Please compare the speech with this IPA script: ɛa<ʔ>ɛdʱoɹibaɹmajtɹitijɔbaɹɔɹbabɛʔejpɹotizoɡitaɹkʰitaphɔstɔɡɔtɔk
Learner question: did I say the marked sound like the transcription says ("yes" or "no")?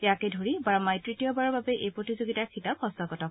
no